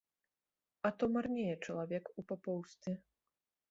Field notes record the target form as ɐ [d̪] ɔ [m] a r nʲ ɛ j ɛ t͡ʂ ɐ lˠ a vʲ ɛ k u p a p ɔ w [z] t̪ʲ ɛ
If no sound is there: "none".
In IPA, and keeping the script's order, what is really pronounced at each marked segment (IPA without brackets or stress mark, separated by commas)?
t̪, m, s